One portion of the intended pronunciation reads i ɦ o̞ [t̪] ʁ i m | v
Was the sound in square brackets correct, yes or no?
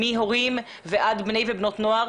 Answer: no